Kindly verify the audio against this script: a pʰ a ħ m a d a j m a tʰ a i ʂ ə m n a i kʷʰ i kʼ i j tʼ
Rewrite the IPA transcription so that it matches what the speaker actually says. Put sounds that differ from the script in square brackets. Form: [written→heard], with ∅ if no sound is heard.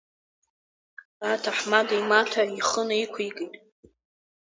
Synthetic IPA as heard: a [pʰ→tʰ] a ħ m a d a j m a tʰ a i [ʂ→χ] ə [m→∅] n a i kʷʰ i kʼ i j tʼ